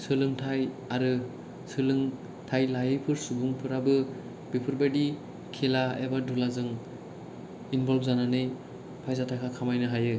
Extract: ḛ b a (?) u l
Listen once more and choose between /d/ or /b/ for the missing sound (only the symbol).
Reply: d